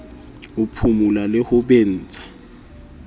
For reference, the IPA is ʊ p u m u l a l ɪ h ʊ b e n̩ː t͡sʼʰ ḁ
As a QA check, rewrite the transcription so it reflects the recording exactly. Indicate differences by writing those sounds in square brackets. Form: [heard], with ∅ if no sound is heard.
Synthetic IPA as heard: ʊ [pʰ] u m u l a l ɪ h ʊ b e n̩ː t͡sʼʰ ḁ